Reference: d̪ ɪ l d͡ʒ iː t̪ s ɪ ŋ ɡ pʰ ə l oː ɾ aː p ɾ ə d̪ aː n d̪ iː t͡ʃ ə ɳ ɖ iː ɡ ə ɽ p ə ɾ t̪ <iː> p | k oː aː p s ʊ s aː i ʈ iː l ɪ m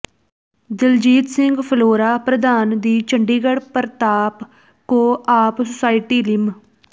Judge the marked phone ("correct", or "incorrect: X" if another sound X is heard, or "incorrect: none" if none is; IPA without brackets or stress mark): incorrect: aː